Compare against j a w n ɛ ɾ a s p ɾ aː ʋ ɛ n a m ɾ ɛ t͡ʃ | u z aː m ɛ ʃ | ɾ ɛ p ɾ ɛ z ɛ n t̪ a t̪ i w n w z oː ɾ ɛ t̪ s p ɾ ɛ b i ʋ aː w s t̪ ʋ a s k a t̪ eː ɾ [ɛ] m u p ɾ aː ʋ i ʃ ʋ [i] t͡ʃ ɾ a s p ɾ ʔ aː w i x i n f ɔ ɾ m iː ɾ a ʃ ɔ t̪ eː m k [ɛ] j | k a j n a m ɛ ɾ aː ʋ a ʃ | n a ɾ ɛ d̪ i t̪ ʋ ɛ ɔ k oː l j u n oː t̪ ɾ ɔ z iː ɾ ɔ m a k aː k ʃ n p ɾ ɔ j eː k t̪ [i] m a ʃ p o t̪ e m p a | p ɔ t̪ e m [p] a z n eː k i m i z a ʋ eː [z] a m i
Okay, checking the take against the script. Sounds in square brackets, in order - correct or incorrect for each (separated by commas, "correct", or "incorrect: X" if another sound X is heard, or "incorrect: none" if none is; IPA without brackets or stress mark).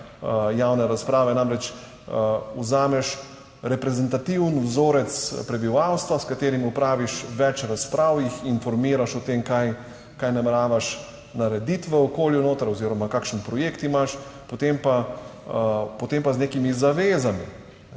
incorrect: i, incorrect: ɛ, incorrect: a, correct, correct, correct